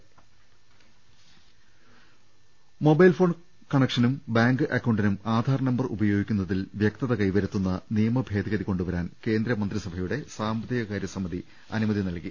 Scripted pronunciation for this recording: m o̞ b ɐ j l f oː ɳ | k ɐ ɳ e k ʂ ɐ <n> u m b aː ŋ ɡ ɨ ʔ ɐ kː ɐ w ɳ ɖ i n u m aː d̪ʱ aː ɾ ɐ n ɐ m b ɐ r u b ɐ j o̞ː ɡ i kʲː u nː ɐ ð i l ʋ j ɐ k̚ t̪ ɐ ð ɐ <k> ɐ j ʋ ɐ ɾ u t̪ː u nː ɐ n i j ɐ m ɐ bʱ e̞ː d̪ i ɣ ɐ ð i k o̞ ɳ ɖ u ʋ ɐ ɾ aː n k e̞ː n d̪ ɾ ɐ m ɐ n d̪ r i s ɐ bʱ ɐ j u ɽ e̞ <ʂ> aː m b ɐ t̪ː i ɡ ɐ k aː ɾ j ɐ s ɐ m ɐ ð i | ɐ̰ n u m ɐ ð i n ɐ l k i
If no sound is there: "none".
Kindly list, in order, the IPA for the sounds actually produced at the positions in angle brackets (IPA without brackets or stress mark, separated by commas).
n, k, s